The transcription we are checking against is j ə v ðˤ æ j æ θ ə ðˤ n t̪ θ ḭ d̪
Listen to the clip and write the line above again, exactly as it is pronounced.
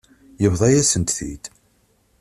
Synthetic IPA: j ə v ðˤ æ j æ s ə n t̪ θ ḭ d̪